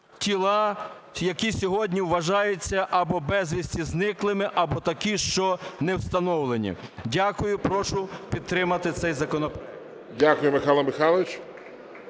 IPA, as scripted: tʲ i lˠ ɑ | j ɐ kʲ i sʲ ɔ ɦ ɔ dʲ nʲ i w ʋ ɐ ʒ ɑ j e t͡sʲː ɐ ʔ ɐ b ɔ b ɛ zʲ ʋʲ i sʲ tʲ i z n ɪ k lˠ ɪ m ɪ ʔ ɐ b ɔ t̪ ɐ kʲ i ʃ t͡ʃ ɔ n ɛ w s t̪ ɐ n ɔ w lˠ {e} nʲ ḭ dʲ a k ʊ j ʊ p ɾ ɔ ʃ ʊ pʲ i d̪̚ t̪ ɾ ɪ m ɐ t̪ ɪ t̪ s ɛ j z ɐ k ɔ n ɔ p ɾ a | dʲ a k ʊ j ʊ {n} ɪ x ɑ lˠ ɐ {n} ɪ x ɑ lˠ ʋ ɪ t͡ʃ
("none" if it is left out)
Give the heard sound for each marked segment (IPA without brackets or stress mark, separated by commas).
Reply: e, m, m